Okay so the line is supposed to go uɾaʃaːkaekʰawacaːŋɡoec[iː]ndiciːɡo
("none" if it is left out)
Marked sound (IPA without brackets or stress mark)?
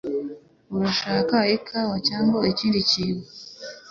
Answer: iː